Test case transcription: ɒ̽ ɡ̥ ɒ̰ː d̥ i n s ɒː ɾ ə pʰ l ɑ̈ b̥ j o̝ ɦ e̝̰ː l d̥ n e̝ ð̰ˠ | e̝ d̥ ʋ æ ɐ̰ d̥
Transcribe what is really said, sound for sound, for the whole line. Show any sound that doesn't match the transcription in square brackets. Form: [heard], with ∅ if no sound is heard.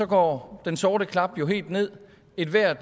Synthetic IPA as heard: ɒ̽ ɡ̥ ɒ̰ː d̥ [e] n s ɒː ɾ ə [kʰ] l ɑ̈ b̥ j o̝ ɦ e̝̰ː l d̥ n e̝ ð̰ˠ | e̝ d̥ ʋ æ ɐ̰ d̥